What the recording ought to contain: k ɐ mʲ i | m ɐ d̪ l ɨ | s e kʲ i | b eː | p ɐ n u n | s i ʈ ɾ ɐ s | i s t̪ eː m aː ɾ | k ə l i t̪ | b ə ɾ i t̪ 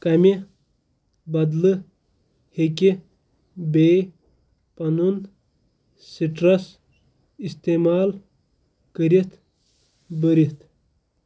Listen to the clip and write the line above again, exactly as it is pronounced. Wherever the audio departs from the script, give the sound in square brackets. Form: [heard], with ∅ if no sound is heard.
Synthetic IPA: k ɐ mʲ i | [b] ɐ d̪ l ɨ | [h] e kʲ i | b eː | p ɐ n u n | s i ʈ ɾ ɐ s | i s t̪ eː m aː [l] | k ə [ɾ] i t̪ | b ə ɾ i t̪